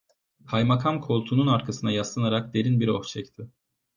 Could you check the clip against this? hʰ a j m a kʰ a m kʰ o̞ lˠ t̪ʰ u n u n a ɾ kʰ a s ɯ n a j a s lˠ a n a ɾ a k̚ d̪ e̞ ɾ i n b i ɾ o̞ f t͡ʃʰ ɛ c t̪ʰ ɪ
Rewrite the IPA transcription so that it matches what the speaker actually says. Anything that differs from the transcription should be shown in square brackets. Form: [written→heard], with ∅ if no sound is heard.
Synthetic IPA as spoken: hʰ a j m a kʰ a m kʰ o̞ lˠ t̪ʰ u n u n a ɾ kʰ a s ɯ n a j a s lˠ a n a ɾ a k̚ d̪ e̞ ɾ i n b i ɾ o̞ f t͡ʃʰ ɛ c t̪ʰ ɪ

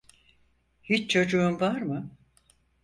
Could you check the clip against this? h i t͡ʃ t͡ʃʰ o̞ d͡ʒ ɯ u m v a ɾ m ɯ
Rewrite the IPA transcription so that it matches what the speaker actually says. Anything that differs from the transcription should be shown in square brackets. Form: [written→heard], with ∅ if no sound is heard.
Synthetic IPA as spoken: h i t͡ʃ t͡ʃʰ o̞ d͡ʒ [ɯ→u] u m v a ɾ m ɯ

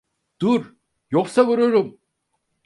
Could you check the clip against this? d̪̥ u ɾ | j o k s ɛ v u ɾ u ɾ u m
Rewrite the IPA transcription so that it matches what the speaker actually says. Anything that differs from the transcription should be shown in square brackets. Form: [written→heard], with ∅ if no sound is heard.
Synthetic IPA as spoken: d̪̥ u ɾ | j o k s [ɛ→a] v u ɾ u ɾ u m

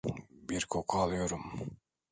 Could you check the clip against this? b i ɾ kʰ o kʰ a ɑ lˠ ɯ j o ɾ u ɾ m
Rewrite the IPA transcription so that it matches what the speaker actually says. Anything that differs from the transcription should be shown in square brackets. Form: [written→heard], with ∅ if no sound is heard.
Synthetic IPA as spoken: b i ɾ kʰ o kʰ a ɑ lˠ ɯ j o ɾ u [ɾ→∅] m

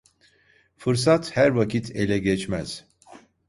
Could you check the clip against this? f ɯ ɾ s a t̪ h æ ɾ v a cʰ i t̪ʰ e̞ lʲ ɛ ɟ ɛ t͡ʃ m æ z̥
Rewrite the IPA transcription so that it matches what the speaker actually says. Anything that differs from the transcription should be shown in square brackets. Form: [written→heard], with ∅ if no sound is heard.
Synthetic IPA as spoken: f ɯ ɾ s a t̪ h æ ɾ v a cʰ i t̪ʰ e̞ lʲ ɛ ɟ ɛ t͡ʃ m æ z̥

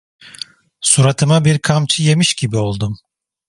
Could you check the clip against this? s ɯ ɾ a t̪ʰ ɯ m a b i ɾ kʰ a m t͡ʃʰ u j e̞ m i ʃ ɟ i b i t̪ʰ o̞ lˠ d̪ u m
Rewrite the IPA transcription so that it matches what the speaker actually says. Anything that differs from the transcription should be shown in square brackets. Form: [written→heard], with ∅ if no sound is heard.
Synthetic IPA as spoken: s [ɯ→u] ɾ a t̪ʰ ɯ m a b i ɾ kʰ a m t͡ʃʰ [u→ɯ] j e̞ m i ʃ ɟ i b i [t̪ʰ→∅] o̞ lˠ d̪ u m

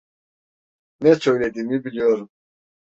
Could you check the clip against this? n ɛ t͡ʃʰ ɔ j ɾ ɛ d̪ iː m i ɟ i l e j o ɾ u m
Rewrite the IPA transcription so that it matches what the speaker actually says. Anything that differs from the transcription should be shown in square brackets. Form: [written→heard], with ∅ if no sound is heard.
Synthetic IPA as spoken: n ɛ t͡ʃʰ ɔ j [ɾ→l] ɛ d̪ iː m i [ɟ→b] i l [e→i] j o ɾ u m

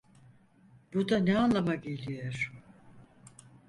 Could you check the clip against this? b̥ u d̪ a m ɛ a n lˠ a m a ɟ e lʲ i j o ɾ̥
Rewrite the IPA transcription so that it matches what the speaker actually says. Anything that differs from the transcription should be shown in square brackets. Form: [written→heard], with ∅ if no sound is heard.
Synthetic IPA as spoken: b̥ u d̪ a [m→n] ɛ a n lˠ a m a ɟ e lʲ i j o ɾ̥

